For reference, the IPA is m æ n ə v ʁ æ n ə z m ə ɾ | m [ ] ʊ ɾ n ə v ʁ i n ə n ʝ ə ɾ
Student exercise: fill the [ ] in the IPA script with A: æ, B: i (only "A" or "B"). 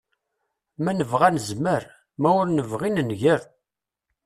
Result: A